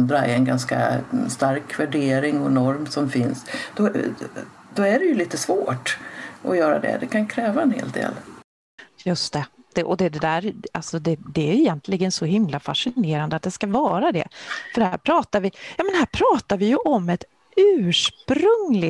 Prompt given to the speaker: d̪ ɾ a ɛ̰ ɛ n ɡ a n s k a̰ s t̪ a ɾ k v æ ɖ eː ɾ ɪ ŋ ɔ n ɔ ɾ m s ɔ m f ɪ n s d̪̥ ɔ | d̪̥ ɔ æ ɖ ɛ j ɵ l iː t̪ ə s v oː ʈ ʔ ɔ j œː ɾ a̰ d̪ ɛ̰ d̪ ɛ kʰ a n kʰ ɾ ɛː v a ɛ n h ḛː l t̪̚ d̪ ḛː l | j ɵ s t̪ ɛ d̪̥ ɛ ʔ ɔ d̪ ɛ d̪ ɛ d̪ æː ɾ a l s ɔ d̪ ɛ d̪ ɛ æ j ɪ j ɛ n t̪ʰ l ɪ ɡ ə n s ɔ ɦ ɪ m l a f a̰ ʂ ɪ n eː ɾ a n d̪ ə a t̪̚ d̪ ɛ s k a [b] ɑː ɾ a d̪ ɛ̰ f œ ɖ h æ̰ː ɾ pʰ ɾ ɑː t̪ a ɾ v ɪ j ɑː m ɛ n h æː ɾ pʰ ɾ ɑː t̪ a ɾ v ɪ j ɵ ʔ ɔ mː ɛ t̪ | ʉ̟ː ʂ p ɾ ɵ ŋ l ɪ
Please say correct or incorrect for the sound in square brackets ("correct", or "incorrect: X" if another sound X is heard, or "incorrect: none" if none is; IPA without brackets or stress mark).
incorrect: v